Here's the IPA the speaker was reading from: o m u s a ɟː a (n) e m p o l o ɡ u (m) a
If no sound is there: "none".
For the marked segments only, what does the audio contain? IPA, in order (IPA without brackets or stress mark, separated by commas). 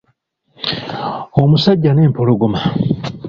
n, m